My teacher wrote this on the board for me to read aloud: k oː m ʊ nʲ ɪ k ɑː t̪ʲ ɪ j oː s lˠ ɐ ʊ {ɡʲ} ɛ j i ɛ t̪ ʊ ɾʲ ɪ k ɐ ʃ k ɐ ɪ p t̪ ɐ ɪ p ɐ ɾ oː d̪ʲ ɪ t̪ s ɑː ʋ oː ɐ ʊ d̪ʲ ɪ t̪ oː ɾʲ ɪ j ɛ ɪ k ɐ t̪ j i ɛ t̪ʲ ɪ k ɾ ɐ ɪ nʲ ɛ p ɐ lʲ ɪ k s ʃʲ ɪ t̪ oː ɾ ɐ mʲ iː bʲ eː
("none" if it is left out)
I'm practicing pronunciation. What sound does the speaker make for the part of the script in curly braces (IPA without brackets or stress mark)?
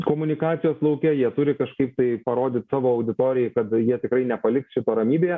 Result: kʲ